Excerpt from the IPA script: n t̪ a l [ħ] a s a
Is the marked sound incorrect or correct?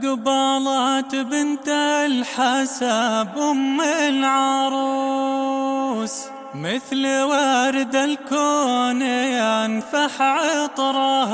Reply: correct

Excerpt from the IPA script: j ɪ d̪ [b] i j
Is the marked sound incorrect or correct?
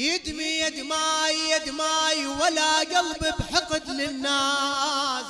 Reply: incorrect: m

